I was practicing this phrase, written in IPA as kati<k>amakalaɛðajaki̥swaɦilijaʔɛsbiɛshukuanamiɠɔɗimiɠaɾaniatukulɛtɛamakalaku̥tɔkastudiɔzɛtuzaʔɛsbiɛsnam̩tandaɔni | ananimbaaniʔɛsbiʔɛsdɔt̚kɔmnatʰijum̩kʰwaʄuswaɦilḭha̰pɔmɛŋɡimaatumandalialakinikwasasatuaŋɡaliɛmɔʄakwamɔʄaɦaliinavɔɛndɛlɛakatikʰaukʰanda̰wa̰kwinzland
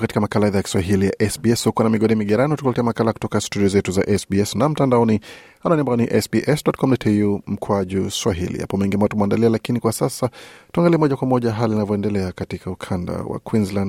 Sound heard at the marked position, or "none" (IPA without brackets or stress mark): k